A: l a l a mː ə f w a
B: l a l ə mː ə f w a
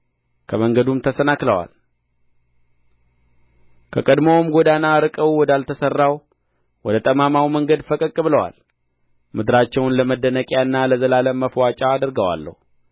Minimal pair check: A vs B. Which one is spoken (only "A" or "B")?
B